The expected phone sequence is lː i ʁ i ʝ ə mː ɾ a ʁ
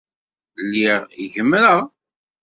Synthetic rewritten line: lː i ʁ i ʝ ə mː ɾ ə ʁ

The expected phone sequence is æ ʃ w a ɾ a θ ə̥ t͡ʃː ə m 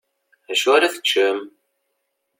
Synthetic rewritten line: æ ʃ u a ɾ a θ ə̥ t͡ʃː ə m

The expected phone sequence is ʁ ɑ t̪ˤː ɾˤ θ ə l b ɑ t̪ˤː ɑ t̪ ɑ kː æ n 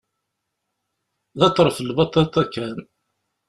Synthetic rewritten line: ð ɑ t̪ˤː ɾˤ f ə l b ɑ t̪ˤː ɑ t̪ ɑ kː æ n

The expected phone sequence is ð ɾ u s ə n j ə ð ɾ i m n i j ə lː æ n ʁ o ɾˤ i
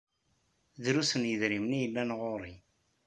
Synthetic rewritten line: ð ɾ u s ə n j ə ð ɾ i m n i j ə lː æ n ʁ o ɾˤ i

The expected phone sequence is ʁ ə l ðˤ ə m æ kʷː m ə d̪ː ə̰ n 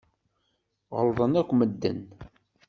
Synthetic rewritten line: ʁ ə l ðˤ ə n æ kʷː m ə d̪ː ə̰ n

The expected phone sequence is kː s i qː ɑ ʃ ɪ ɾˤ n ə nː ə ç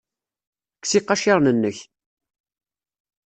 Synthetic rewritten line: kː s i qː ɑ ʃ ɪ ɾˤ n ə nː ə ç

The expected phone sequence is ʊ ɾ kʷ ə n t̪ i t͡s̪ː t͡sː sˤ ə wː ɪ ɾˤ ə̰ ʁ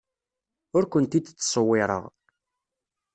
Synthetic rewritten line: ʊ ɾ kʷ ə n t̪ i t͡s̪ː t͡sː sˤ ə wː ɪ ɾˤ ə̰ ʁ

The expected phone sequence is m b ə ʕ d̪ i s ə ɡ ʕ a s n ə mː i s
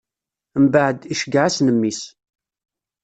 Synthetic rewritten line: m b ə ʕ d̪ i ʃ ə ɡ ʕ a s n ə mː i s

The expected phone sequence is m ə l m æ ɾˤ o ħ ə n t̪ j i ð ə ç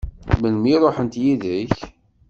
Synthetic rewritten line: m ə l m i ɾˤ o ħ ə n t̪ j i ð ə ç

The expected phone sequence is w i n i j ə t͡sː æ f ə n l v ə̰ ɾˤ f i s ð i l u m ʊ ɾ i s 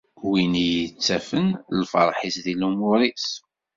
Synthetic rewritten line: w i n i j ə t͡sː æ f ə n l f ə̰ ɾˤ ħ i s ð i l u m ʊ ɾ i s

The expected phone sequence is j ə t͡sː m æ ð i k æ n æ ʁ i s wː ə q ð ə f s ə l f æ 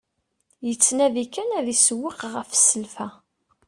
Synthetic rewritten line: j ə t͡sː n æ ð i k æ n æ ð i s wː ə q ʁ ə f s ə l f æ

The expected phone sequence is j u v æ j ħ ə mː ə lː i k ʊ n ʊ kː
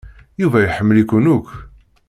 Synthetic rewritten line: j u v æ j ħ ə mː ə l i k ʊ n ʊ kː

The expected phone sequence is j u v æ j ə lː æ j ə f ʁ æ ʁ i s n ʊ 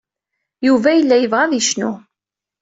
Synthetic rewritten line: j u v æ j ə lː æ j ə v ʁ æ ð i ʃ n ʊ

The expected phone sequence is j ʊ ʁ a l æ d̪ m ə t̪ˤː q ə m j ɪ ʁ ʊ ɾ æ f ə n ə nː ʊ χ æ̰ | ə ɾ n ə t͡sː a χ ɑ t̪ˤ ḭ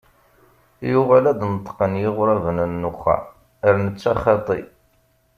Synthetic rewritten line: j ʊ ʁ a l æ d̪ n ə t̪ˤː q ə n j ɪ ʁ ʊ ɾ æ v ə n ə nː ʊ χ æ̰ | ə ɾ n ə t͡sː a χ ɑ t̪ˤ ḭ

